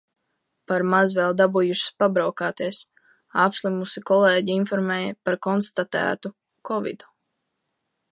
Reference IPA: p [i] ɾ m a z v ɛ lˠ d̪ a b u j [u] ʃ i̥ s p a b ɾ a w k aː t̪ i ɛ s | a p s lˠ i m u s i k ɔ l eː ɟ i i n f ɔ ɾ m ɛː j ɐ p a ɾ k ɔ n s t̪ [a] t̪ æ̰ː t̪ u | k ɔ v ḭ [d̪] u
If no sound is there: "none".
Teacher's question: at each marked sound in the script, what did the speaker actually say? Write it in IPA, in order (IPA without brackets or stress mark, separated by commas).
a, u, a, d̪